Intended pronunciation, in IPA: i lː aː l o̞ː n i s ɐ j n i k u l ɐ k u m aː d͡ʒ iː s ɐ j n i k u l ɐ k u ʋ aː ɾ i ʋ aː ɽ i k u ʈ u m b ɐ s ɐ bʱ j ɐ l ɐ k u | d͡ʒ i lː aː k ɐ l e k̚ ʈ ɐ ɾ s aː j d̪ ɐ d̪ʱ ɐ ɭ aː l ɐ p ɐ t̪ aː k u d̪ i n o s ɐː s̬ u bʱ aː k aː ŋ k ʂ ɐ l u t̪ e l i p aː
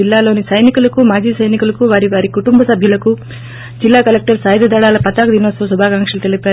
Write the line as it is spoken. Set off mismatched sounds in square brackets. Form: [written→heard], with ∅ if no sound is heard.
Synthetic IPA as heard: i lː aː l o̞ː n i s ɐ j n i k u l ɐ k u m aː d͡ʒ iː s ɐ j n i k u l ɐ k u ʋ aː ɾ i ʋ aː [ɽ→ɾ] i k u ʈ u m b ɐ s ɐ bʱ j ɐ l ɐ k u | d͡ʒ i lː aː k ɐ l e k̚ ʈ ɐ ɾ s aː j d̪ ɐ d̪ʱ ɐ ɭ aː l ɐ p ɐ t̪ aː k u d̪ i n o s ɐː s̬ u bʱ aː k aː ŋ k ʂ ɐ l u t̪ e l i p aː